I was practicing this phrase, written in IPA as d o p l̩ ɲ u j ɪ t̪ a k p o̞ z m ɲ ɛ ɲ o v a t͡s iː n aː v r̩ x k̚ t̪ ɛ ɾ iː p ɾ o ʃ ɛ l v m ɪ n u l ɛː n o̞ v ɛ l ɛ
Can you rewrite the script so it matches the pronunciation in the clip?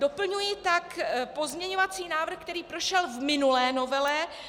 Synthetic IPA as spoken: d o p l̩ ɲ u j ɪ t̪ a k p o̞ z m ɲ ɛ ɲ o v a t͡s iː n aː v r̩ x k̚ t̪ ɛ ɾ iː p ɾ o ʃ ɛ l v m ɪ n u l ɛː n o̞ v ɛ l ɛ